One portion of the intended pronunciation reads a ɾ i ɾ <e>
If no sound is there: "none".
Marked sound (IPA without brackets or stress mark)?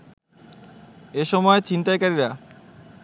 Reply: a